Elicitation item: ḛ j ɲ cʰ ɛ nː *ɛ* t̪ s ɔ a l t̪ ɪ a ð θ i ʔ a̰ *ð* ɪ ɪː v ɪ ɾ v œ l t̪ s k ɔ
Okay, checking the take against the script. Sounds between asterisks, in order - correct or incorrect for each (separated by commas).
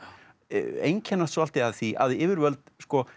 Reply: incorrect, correct